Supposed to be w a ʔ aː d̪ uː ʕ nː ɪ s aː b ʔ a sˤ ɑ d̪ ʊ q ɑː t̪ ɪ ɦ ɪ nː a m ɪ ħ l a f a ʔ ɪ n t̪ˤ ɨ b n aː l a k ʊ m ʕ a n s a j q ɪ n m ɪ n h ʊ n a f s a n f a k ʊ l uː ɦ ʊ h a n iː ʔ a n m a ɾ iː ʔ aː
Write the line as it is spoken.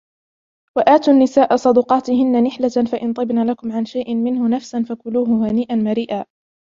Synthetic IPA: w a ʔ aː t̪ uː nː ɪ s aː ʔ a sˤ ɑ d̪ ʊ q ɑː t̪ ɪ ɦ ɪ nː a n ɪ ħ l a f a ʔ ɪ n t̪ˤ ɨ b n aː l a k ʊ m ʕ a n ʃ a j ʔ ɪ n m ɪ n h ʊ n a f s a n f a k ʊ l uː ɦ ʊ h a n iː ʔ a n m a ɾ iː ʔ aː